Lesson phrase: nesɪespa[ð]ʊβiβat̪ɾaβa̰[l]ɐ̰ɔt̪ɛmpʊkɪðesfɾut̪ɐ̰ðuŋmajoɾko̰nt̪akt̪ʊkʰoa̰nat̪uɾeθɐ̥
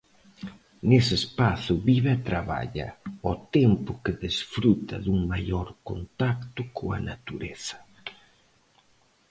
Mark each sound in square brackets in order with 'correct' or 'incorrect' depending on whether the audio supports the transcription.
incorrect: θ, incorrect: ʎ

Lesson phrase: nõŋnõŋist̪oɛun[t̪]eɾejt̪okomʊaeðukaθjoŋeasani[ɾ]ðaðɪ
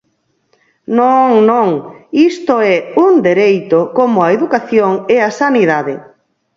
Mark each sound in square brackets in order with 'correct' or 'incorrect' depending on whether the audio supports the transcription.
incorrect: d̪, incorrect: none

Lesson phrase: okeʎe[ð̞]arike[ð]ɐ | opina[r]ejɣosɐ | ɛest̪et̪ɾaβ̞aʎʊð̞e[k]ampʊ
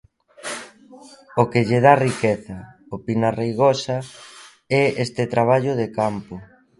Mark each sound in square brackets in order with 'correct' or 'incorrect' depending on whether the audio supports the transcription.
correct, incorrect: θ, correct, correct

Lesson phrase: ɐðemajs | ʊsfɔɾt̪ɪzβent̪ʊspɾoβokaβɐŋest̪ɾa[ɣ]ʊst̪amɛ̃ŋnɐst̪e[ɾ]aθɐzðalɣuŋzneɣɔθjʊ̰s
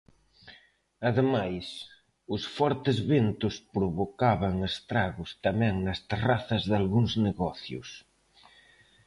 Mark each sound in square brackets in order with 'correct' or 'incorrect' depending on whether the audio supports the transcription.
correct, incorrect: r

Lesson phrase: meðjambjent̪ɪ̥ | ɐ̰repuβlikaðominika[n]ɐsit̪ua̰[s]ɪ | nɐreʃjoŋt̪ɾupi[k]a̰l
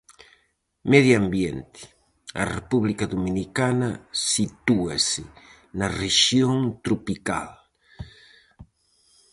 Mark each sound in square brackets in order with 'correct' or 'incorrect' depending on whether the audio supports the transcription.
correct, correct, correct

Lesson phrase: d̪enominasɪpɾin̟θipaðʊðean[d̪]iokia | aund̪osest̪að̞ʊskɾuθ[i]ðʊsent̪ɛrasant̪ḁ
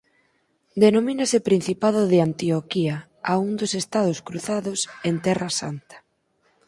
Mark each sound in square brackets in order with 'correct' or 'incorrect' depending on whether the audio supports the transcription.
incorrect: t̪, incorrect: a

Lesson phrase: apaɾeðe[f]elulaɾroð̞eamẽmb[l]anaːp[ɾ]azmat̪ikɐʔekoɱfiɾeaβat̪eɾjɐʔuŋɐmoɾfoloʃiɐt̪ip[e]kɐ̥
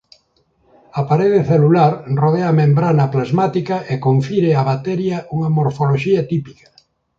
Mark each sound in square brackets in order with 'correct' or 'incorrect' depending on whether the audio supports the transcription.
incorrect: θ, incorrect: ɾ, incorrect: l, incorrect: i

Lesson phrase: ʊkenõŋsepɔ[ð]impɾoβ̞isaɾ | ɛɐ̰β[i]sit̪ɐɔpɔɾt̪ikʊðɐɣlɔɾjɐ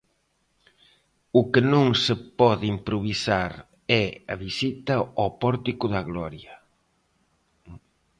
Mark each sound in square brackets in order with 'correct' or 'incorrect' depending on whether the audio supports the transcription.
correct, correct

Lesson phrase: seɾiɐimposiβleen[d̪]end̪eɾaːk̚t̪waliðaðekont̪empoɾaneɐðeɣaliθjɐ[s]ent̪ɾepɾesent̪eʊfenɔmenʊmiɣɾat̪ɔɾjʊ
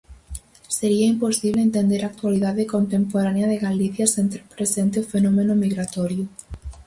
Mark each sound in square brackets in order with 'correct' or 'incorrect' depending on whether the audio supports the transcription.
incorrect: t̪, correct

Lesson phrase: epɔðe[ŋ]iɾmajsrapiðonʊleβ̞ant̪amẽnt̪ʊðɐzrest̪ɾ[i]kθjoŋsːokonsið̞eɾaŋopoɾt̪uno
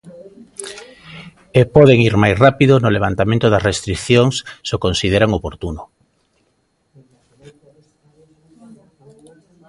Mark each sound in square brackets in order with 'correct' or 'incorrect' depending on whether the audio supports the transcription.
correct, correct

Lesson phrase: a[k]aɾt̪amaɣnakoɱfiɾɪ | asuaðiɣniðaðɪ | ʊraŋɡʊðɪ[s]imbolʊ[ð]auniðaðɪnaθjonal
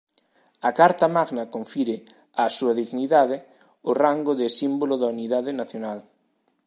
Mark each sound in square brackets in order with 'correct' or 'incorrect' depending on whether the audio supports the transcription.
correct, correct, correct

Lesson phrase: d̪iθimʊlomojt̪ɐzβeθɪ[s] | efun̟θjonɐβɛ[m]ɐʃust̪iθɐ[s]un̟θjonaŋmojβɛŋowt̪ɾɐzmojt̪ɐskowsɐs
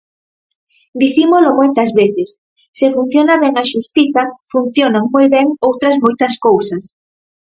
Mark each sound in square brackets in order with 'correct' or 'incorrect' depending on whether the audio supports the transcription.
incorrect: sː, incorrect: ŋ, incorrect: f

